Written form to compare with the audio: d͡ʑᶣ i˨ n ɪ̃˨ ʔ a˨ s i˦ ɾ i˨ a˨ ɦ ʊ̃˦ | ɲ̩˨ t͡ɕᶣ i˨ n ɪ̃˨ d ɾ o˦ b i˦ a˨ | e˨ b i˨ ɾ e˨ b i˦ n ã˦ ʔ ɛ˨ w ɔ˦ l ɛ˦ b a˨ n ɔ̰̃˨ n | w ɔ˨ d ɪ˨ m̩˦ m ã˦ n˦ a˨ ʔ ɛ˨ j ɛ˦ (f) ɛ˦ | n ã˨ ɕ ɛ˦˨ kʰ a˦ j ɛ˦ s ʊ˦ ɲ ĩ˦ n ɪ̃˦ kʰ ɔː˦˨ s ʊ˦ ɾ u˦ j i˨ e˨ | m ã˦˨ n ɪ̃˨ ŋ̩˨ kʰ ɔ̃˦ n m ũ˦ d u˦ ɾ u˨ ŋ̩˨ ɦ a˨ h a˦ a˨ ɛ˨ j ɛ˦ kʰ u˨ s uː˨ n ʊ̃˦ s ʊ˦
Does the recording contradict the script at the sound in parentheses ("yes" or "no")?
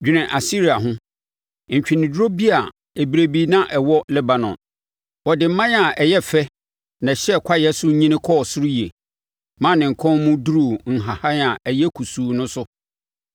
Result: no